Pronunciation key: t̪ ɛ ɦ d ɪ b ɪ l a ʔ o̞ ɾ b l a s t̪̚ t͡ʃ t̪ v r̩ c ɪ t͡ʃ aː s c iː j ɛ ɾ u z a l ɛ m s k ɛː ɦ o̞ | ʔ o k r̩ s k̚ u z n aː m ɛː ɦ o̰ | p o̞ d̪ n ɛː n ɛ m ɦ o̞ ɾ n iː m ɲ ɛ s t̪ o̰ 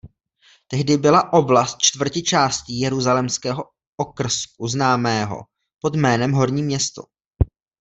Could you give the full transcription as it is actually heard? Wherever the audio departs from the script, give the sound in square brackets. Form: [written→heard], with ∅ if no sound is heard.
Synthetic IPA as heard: t̪ ɛ ɦ d ɪ b ɪ l a ʔ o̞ [ɾ→∅] b l a s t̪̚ t͡ʃ t̪ v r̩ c ɪ t͡ʃ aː s c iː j ɛ ɾ u z a l ɛ m s k ɛː ɦ o̞ | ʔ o k r̩ s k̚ u z n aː m ɛː ɦ o̰ | p o̞ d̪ [n→m] ɛː n ɛ m ɦ o̞ ɾ [n→ɲ] iː m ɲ ɛ s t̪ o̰